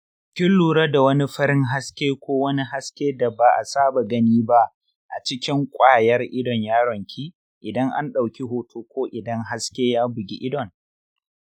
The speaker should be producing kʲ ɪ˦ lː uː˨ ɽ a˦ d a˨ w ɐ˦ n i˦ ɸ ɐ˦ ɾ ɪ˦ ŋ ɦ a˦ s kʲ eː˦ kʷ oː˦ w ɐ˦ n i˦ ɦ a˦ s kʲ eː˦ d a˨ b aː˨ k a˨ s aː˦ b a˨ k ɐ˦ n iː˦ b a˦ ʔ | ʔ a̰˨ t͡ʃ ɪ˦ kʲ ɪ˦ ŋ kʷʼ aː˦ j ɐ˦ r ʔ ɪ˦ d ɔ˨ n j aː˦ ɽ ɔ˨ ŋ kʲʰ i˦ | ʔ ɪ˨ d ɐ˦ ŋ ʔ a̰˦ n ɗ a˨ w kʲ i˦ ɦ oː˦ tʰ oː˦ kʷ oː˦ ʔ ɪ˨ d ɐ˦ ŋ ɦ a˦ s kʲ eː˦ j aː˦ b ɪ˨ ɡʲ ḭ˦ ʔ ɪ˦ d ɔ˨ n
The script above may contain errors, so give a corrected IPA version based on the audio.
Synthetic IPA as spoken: kʲ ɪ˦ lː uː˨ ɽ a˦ d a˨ w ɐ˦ n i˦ ɸ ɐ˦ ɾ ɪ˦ ŋ ɦ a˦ s kʲ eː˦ kʷ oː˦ w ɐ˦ n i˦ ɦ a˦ s kʲ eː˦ d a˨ b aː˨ ʔ a˨ s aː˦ b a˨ ɡ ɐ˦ n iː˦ b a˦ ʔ | ʔ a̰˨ t͡ʃ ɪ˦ kʲ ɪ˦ ŋ kʷʼ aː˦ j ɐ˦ r ʔ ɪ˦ d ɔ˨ ɲ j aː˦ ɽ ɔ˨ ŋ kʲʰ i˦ | ʔ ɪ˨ d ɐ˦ ŋ ʔ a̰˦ n ɗ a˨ w kʲ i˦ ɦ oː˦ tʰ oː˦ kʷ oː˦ ʔ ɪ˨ d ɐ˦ ŋ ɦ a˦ s kʲ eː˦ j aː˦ b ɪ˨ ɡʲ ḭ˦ ʔ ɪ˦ d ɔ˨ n